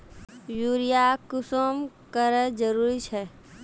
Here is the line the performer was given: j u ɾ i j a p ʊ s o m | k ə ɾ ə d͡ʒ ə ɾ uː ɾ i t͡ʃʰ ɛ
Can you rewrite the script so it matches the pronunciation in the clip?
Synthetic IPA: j u ɾ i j a k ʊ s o m | k ə ɾ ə d͡ʒ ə ɾ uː ɾ i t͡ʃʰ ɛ